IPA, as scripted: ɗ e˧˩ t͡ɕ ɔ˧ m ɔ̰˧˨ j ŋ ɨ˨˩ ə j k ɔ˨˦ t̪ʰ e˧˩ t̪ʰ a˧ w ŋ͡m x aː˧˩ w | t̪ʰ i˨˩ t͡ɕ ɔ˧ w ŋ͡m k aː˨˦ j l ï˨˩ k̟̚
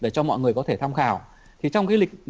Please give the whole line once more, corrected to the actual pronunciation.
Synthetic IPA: ɗ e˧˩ t͡ɕ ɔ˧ m ɔ̰˧˨ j ŋ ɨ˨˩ ə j k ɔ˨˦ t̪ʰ e˧˩ t̪ʰ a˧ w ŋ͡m x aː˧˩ w | t̪ʰ i˨˩ t͡ɕ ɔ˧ w ŋ͡m k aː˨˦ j l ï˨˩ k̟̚